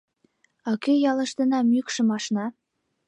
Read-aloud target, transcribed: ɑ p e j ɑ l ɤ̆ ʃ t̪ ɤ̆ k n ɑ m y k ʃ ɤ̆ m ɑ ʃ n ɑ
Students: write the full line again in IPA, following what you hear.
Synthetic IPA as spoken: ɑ k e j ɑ l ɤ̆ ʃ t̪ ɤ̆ n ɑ m y k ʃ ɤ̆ m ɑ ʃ n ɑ